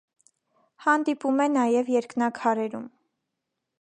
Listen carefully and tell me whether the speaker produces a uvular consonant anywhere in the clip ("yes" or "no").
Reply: no